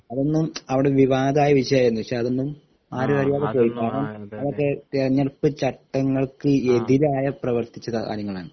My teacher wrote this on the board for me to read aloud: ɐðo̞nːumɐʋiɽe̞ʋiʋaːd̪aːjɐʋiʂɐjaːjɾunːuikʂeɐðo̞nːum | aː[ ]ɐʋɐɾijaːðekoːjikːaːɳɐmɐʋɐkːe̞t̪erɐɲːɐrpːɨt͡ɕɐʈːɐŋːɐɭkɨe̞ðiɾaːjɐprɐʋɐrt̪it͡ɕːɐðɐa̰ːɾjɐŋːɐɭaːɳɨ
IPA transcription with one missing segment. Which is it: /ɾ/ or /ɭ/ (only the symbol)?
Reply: ɾ